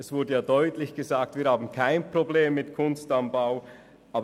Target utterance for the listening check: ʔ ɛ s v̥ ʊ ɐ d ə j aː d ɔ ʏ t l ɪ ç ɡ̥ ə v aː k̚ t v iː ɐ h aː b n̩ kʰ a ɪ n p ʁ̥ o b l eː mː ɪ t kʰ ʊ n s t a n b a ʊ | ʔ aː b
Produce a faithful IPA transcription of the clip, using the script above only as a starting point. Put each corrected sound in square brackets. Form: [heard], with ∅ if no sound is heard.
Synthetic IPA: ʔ ɛ s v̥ ʊ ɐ d ə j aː d ɔ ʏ t l ɪ ç ɡ̥ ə [z] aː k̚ t v iː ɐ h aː b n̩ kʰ a ɪ n p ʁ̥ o b l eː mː ɪ t kʰ ʊ n s t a n b a ʊ | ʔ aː b